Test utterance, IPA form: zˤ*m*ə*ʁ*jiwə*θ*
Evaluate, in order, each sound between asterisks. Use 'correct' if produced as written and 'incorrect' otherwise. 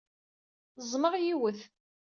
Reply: correct, correct, correct

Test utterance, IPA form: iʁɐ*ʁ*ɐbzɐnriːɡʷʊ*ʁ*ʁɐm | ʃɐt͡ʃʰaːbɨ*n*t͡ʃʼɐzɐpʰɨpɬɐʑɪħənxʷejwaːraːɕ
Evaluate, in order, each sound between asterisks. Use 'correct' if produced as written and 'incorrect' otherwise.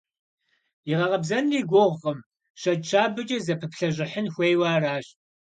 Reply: correct, correct, incorrect: none

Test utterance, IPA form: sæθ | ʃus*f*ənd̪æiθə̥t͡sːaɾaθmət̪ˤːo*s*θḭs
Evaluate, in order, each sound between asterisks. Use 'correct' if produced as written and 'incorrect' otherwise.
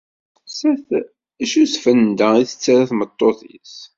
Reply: correct, incorrect: none

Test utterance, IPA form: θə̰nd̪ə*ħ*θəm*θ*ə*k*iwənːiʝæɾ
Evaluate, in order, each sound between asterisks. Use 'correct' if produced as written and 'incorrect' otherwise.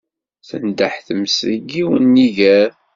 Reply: correct, incorrect: s, incorrect: ɡ

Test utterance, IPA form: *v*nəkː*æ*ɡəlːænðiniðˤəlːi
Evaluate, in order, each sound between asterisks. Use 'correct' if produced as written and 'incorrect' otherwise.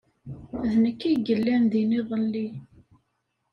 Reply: incorrect: ð, incorrect: i

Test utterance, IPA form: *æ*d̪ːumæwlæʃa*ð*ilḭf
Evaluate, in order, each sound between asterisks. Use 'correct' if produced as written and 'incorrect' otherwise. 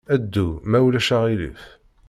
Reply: correct, incorrect: ʁ

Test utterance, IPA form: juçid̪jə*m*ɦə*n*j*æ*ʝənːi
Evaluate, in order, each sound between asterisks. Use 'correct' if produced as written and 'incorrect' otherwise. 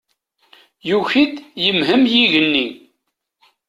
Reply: correct, incorrect: m, incorrect: i

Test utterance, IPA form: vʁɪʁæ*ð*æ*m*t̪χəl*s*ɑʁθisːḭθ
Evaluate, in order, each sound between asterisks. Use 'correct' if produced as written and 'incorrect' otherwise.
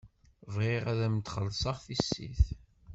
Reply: correct, correct, correct

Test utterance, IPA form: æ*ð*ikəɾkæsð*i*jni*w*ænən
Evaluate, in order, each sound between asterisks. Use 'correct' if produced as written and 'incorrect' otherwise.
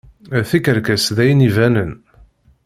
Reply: incorrect: θ, incorrect: æ, incorrect: v

